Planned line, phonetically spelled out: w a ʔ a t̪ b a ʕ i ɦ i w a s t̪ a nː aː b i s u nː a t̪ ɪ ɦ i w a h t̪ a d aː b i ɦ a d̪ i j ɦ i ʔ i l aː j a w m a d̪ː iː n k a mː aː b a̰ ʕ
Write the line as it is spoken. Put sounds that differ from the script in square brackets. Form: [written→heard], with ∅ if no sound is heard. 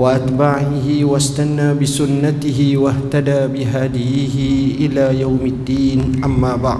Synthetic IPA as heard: w a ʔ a t̪ b a ʕ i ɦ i w a s t̪ a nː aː b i s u nː a t̪ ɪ ɦ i w a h t̪ a d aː b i ɦ a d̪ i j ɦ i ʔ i l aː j a w m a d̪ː iː n [k→ʔ] a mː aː b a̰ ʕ